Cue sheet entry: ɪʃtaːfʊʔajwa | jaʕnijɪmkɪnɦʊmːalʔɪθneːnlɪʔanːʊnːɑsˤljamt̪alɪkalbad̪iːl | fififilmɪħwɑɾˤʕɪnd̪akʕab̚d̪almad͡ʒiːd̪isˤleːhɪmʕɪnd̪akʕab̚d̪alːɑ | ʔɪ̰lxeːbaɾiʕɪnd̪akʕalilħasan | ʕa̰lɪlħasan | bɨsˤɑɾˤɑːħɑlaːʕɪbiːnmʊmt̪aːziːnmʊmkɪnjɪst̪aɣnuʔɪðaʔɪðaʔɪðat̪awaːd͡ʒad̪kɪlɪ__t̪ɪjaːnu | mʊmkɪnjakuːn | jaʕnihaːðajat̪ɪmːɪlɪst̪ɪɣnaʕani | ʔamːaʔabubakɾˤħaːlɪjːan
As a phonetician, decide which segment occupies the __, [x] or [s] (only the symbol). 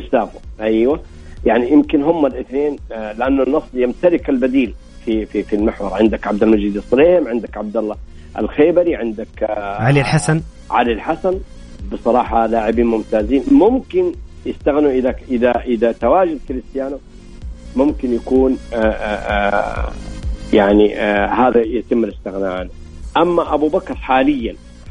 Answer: s